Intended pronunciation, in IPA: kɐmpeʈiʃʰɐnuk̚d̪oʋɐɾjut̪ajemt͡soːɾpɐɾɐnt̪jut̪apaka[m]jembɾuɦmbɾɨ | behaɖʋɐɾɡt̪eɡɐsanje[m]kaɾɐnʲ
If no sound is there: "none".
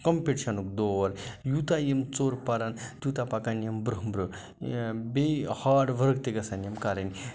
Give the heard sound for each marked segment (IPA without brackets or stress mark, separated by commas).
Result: n, m